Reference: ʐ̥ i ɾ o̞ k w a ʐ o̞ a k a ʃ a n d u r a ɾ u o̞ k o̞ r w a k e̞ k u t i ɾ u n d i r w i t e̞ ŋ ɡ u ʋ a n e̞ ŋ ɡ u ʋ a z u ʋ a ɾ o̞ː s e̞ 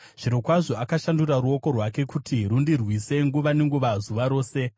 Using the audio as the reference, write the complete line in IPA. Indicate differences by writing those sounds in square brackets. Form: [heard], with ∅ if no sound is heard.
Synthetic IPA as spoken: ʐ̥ i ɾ o̞ k w a ʐ o̞ a k a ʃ a n d u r a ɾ u o̞ k o̞ r w a k e̞ k u t i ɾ u n d i r w i [s] e̞ ŋ ɡ u ʋ a n e̞ ŋ ɡ u ʋ a z u ʋ a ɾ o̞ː s e̞